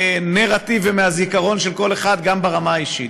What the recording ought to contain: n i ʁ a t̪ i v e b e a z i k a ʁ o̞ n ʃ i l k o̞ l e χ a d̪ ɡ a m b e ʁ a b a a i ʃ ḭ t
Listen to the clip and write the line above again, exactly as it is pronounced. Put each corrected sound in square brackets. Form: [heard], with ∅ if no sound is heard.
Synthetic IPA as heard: n [e] ʁ a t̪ i v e [m] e a z i k a ʁ o̞ n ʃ [e] l k o̞ l e χ a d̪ ɡ a m b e ʁ a [m] a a i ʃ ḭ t